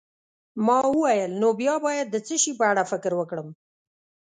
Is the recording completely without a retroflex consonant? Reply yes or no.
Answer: no